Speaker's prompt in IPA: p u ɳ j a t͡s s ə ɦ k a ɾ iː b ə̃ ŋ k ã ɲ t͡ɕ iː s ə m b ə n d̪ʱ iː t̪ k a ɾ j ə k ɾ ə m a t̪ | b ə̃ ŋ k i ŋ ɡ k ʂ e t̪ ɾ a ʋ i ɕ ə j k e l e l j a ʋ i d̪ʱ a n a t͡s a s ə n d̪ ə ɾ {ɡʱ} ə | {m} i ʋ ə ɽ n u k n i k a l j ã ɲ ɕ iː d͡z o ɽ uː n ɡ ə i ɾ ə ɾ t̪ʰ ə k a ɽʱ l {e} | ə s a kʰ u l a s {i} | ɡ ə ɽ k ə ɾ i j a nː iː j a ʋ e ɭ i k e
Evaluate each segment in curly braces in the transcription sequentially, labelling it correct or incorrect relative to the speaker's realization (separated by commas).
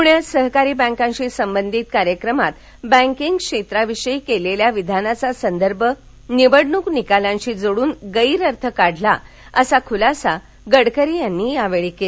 incorrect, incorrect, incorrect, incorrect